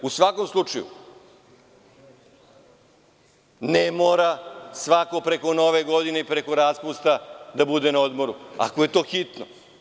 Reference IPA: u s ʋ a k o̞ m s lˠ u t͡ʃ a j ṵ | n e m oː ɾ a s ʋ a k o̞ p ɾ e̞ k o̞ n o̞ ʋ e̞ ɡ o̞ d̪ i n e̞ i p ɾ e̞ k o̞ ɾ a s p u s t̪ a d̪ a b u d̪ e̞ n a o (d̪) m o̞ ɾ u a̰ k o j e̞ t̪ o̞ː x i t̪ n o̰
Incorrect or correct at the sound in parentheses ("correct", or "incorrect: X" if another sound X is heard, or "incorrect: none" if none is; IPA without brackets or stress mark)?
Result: correct